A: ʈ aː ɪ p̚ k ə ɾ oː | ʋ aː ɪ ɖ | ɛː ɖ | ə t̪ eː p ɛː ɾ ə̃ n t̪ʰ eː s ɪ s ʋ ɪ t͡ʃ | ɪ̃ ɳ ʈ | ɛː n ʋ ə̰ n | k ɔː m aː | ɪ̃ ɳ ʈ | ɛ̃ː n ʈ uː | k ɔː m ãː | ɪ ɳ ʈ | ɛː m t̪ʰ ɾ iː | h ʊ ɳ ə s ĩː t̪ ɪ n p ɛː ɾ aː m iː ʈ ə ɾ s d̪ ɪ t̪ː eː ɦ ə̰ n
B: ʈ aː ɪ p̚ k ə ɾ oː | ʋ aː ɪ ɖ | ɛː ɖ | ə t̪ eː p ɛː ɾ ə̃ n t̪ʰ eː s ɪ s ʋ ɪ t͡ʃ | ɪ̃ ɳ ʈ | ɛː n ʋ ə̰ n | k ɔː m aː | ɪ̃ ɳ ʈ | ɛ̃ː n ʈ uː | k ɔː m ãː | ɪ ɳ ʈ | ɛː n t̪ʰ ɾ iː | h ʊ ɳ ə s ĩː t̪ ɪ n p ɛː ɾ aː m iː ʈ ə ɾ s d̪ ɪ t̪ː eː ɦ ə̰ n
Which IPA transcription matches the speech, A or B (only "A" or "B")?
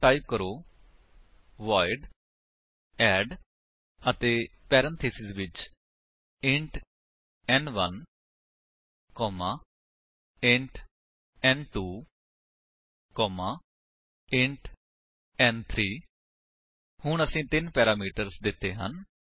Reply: B